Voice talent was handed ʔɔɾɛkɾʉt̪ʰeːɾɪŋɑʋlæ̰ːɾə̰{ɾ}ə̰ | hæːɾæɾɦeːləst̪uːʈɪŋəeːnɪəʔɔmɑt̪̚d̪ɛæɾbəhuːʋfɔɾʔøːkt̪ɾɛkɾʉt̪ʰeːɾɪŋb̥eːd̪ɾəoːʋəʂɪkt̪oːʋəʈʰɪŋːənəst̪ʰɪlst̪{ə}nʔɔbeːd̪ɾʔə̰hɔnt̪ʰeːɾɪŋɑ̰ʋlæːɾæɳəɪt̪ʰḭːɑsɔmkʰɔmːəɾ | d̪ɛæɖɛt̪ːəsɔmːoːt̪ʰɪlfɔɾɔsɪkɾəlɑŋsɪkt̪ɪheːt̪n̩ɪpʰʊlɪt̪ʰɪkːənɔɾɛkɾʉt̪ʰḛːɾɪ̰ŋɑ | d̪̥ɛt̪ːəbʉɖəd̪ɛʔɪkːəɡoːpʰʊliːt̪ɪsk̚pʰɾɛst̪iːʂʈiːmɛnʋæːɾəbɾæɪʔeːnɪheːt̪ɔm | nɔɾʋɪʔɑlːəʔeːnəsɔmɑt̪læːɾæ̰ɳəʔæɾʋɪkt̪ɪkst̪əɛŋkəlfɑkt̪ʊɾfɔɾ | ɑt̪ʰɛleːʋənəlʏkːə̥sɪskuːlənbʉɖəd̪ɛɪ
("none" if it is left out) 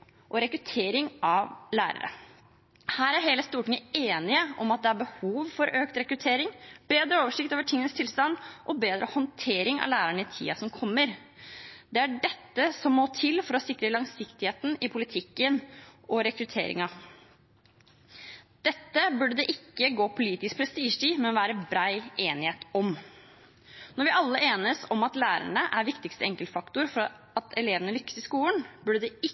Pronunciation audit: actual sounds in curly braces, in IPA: ɾ, ɑ

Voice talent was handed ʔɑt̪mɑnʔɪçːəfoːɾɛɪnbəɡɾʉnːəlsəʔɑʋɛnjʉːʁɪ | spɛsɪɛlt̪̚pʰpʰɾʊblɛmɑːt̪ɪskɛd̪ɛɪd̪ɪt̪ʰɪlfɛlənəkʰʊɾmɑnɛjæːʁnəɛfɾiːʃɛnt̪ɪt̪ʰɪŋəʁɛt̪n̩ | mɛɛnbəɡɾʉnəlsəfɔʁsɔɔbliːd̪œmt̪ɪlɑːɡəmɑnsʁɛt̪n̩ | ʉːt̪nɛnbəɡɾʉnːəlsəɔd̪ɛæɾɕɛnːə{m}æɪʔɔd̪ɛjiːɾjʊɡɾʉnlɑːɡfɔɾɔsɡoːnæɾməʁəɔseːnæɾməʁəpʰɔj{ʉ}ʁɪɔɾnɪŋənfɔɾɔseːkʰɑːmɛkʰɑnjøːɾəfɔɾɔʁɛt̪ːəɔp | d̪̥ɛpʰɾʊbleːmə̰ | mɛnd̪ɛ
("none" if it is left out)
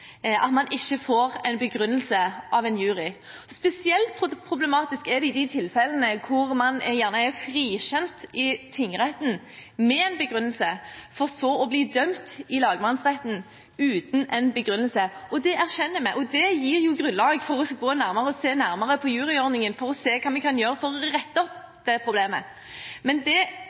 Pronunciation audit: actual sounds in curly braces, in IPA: m, ʉː

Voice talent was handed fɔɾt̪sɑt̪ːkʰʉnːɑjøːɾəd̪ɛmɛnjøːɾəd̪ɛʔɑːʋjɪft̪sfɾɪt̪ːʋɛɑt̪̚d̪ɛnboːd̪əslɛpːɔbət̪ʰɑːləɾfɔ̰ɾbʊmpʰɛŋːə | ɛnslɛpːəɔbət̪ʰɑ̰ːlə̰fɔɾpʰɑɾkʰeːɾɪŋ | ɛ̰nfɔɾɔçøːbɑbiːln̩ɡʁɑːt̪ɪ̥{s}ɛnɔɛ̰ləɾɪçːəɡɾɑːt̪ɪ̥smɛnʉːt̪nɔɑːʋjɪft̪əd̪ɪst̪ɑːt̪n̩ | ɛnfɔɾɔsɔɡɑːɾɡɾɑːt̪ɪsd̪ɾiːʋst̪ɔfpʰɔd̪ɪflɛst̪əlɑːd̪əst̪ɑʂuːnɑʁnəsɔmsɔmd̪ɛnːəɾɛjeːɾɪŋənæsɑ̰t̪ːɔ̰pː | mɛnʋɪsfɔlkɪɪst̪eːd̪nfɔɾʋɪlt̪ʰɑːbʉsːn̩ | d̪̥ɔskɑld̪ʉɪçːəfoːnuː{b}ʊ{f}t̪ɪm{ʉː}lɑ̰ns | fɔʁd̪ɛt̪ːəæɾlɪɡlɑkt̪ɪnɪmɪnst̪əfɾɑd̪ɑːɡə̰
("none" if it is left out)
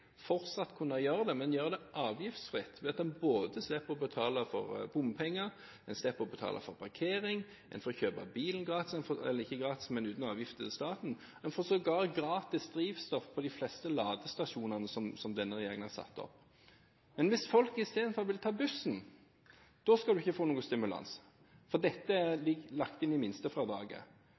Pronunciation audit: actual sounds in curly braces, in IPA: s, ɡ, s, ʉ

